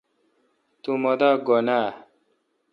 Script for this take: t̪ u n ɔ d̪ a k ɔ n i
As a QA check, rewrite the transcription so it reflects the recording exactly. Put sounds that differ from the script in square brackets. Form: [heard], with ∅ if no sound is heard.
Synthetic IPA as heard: t̪ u [m] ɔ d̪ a [ɡ] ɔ n [a]